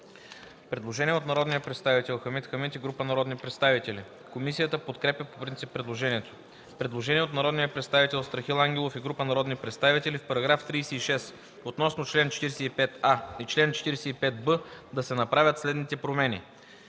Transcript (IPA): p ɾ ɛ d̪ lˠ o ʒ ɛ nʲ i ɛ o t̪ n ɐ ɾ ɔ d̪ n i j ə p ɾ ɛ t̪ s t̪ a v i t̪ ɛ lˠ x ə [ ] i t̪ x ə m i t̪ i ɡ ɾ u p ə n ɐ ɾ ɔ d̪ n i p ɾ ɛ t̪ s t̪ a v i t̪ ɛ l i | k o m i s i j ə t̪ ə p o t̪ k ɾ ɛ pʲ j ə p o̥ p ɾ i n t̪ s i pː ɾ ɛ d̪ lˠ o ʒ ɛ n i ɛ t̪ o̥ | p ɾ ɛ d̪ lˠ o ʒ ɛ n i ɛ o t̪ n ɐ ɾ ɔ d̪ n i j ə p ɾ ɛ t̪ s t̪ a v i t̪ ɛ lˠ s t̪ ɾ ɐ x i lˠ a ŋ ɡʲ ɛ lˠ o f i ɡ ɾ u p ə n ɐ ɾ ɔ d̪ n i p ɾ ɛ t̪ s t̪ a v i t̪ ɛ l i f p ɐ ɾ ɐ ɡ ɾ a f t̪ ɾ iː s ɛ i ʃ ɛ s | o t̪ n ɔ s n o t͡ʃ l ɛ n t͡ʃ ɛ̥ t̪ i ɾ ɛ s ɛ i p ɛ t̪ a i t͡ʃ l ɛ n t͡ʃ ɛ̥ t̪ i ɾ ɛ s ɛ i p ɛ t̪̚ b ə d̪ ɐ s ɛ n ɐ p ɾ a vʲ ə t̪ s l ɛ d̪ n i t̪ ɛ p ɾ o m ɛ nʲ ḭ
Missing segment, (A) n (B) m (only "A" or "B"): B